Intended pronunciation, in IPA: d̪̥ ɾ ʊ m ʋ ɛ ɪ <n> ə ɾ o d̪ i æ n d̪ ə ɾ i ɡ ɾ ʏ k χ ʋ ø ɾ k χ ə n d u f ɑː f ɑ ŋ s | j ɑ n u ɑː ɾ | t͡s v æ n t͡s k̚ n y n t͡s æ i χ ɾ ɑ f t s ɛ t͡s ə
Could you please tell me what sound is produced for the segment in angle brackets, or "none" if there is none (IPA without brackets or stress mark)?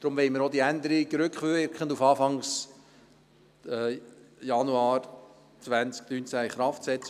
m